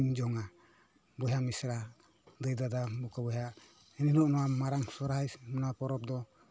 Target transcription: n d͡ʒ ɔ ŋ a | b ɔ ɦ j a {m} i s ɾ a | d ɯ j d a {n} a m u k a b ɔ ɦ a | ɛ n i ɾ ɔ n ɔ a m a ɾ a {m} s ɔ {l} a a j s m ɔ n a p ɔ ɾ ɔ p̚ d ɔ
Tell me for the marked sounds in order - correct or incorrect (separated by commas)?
correct, incorrect, incorrect, incorrect